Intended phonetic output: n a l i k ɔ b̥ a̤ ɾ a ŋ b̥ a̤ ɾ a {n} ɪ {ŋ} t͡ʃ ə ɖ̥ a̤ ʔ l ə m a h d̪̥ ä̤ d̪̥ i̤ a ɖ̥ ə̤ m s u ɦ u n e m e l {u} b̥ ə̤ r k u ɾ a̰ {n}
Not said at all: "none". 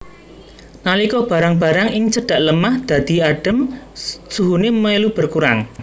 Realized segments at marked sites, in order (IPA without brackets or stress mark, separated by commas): ŋ, ŋ, u, ŋ